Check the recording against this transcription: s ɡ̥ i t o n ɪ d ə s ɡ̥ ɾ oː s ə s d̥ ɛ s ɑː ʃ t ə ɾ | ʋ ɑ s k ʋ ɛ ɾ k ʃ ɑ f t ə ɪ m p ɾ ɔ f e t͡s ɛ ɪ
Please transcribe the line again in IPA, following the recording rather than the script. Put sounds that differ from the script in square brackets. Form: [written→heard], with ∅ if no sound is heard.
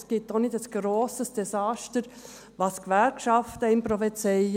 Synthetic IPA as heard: s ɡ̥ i t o n ɪ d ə s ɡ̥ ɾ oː s ə s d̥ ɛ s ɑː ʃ t ə ɾ | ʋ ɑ s k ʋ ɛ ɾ k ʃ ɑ f t ə ɪ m p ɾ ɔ f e t͡s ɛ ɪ